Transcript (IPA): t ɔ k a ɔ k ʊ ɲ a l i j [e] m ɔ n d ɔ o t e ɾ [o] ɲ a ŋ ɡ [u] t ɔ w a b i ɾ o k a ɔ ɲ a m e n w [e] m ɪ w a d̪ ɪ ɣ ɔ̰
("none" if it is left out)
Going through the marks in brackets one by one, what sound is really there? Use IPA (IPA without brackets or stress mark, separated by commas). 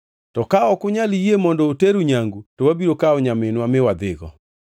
e, u, u, a